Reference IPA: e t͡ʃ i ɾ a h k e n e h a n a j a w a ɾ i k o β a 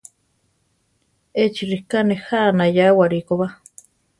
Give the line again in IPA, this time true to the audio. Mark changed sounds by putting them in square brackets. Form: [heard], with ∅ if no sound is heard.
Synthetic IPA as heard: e t͡ʃ i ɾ [i] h k [a] n e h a n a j a w a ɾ i k o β a